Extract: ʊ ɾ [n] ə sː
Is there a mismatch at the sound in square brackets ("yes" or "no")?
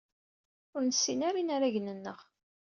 no